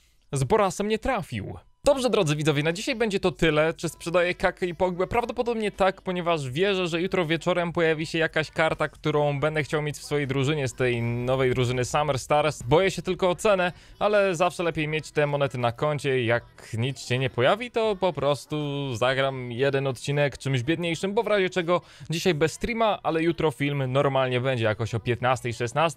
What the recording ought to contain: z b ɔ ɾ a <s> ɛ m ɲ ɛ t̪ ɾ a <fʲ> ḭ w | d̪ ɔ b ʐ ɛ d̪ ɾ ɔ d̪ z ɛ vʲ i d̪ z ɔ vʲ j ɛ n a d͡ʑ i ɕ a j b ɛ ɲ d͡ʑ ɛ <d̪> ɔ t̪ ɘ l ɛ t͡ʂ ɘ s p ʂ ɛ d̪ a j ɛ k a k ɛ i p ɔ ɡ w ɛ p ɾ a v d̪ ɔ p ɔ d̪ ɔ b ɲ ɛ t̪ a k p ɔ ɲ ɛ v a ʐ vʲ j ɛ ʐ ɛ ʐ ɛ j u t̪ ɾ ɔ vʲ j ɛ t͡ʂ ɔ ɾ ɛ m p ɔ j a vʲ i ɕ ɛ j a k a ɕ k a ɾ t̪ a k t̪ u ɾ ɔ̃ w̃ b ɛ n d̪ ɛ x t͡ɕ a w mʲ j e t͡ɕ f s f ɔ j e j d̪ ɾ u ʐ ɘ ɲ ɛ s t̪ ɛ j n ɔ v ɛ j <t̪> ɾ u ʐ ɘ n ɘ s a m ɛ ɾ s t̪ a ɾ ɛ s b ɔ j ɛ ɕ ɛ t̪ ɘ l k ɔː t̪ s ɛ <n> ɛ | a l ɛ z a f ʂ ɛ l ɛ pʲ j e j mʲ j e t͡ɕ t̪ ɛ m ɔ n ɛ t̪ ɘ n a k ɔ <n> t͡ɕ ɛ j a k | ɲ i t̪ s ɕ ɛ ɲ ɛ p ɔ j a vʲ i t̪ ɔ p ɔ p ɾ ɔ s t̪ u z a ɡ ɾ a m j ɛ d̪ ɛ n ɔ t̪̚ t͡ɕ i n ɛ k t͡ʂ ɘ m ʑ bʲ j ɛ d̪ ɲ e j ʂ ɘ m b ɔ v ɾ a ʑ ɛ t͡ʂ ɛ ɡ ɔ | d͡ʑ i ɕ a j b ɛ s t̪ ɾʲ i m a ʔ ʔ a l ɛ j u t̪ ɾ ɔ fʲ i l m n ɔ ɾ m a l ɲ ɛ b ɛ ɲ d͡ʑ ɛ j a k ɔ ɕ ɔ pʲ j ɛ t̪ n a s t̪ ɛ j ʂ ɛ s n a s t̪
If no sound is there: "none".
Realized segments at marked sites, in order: s, fʲ, t̪, d̪, n, ɲ

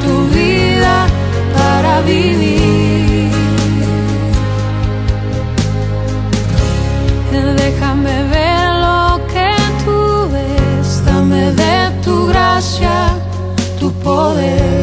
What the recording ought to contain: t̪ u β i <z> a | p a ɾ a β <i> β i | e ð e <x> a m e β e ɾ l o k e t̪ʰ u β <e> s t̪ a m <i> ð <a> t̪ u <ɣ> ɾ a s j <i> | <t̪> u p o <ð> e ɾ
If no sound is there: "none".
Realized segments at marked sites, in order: ð, i, x, e, e, e, ɣ, a, t̪, ð

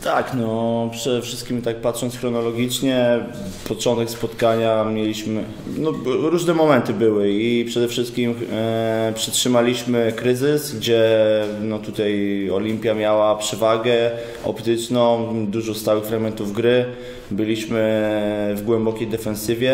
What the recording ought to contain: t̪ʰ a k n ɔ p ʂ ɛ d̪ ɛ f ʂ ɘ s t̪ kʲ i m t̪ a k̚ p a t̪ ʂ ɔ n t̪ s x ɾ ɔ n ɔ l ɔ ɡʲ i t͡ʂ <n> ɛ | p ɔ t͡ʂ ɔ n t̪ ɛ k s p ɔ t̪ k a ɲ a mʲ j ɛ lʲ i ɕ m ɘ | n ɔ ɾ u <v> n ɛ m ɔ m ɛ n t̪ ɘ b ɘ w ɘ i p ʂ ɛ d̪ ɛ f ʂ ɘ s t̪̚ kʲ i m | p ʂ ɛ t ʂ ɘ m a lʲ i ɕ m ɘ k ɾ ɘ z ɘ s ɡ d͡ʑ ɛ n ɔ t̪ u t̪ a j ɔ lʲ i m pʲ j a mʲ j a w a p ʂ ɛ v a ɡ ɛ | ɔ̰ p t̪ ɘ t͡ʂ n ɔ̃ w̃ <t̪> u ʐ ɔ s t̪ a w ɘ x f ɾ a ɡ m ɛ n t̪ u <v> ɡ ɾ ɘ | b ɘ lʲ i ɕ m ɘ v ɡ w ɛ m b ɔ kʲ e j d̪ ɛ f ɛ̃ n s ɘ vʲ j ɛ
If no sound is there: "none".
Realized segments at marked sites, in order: ɲ, ʐ, d̪, v

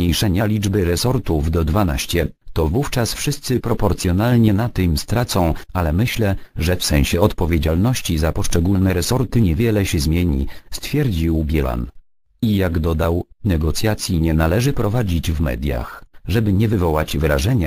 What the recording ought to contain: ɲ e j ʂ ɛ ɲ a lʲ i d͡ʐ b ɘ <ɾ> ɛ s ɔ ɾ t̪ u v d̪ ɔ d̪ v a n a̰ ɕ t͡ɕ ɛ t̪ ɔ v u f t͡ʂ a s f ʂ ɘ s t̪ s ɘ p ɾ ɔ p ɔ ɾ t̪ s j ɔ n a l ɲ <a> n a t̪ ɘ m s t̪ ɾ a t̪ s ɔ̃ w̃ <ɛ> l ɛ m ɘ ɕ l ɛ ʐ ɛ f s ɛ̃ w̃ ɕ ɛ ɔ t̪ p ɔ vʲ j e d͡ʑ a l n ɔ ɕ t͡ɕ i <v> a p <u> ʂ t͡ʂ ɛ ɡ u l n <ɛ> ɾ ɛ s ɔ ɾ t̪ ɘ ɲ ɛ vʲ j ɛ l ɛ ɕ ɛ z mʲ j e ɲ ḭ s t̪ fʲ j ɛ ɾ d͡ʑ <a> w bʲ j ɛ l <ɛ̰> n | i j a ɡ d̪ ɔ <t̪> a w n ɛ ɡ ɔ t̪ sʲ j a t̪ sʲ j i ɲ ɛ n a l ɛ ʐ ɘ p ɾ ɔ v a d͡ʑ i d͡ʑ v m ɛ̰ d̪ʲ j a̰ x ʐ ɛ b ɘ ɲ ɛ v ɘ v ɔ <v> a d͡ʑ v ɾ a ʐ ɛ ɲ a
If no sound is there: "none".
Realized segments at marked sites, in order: ɾ, ɛ, a, z, ɔ, ɛ, i, a̰, d̪, w

